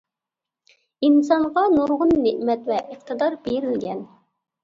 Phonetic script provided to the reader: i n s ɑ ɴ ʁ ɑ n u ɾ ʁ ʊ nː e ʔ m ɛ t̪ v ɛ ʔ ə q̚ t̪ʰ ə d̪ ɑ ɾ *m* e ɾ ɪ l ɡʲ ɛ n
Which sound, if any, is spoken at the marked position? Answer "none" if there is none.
b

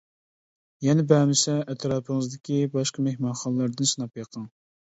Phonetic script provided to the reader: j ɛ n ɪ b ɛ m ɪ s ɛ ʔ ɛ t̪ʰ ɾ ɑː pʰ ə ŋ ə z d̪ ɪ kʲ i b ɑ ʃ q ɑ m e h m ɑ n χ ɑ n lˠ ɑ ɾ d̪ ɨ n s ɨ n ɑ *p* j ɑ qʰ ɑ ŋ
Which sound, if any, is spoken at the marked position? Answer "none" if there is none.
p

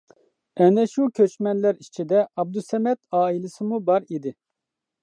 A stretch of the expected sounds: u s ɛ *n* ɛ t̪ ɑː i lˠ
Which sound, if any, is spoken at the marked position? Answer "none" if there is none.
m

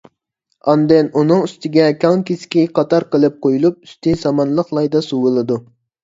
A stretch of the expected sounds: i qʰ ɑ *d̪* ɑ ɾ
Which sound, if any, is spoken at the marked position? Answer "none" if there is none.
t̪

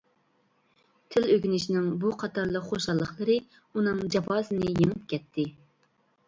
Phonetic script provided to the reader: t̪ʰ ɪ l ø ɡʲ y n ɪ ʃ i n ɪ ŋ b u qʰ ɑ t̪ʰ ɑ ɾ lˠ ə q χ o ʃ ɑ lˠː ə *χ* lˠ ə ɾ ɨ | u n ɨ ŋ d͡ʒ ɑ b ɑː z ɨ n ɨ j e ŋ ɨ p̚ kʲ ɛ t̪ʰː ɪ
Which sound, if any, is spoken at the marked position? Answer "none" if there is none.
χ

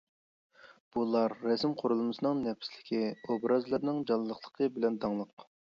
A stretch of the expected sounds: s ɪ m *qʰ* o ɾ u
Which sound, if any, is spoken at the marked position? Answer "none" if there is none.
qʰ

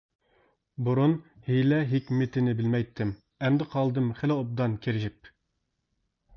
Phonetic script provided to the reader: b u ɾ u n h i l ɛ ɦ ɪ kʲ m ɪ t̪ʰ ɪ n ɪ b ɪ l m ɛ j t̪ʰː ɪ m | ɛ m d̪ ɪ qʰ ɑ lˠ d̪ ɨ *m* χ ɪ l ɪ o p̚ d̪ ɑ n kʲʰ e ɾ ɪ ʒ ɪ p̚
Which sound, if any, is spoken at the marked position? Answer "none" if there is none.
m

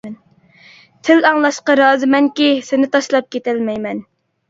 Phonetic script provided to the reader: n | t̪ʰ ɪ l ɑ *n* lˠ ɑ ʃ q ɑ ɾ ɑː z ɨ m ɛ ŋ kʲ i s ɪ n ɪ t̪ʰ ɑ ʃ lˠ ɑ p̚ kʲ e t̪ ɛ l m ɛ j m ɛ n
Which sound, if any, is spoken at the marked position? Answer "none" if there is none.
ŋ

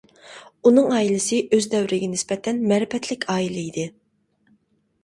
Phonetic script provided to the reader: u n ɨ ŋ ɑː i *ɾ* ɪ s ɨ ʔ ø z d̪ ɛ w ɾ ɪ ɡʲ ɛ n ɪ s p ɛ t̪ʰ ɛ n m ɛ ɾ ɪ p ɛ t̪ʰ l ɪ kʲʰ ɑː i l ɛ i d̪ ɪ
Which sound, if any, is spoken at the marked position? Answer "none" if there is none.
l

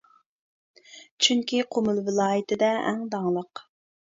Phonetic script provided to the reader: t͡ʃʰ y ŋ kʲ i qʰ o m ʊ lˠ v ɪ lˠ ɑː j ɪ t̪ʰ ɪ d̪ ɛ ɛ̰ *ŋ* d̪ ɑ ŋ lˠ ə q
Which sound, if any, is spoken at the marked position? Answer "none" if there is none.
ŋ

